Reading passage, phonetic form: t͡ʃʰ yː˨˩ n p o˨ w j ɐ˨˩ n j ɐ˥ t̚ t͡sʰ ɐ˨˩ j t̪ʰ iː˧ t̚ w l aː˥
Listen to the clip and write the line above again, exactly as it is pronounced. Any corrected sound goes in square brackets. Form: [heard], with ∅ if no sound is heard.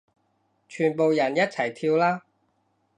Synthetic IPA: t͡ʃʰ yː˨˩ n p o˨ w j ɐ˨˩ n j ɐ˥ t̚ t͡sʰ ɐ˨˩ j t̪ʰ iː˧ [∅] w l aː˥